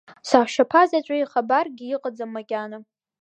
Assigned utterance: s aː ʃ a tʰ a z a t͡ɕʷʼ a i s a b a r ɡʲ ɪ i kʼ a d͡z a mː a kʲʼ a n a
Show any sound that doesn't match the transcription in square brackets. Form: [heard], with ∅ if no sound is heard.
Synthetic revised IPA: s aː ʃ a [pʰ] a z a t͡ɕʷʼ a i [χ] a b a r ɡʲ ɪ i [qʼ] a d͡z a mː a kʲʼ a n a